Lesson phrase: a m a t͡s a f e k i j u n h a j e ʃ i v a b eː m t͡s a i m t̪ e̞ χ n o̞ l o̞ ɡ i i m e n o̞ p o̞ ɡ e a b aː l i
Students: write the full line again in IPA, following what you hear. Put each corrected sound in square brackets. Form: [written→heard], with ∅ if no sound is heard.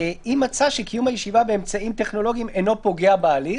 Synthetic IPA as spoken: [a→i] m a t͡s a [f→ʃ] e k i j u [n→m] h a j e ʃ i v a b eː m t͡s a i m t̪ e̞ χ n o̞ l o̞ ɡ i i m e n o̞ p o̞ ɡ e a b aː l i